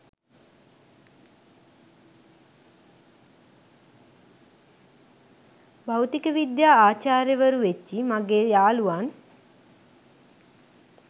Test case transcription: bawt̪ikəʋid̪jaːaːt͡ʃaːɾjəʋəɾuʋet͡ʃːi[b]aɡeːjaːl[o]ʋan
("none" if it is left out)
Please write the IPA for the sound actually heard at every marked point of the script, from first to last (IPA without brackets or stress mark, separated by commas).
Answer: m, u